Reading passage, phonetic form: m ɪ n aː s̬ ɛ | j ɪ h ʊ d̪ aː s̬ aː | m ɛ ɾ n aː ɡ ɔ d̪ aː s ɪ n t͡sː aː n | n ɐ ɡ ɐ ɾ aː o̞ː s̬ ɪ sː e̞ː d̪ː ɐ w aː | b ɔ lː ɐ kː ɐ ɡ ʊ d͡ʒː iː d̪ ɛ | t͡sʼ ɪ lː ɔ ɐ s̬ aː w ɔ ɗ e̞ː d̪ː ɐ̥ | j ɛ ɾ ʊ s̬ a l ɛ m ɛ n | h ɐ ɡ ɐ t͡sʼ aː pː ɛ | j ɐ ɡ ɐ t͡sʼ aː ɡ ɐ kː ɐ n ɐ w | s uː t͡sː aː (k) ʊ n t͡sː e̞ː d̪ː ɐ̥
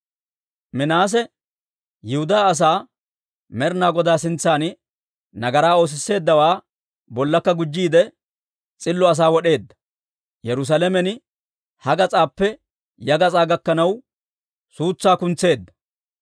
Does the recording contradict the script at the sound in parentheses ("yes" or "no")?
no